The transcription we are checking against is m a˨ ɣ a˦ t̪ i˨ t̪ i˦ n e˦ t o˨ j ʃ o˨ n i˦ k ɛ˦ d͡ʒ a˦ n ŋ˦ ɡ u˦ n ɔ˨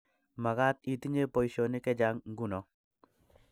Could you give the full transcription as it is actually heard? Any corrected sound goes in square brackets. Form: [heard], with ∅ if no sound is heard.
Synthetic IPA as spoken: m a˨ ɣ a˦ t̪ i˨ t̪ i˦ [ɲ] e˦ [p] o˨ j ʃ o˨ n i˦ k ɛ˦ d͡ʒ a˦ [ŋ] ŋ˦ ɡ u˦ n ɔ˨